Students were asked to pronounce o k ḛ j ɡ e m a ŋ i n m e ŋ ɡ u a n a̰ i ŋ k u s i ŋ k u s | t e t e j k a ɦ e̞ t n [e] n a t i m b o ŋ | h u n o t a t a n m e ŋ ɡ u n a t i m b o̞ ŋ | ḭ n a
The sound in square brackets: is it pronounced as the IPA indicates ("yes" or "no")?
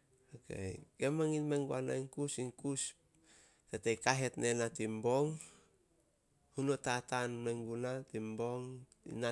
yes